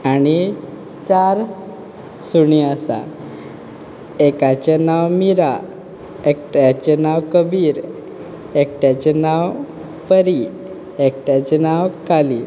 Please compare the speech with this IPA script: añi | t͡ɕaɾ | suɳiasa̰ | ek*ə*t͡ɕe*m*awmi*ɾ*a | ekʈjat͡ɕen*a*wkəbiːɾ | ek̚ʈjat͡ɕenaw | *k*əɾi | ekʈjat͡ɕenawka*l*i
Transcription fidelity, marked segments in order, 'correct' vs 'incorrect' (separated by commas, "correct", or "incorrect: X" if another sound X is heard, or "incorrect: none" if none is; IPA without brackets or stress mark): incorrect: a, incorrect: n, correct, correct, incorrect: p, correct